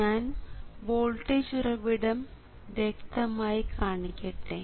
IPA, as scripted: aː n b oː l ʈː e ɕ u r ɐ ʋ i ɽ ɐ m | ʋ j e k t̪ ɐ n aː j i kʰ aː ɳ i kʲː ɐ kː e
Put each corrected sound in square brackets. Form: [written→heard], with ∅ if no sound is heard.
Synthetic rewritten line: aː n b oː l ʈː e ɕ u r ɐ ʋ i ɽ ɐ m | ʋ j e k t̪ ɐ [n→m] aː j i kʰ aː ɳ i kʲː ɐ [kː→ʈː] e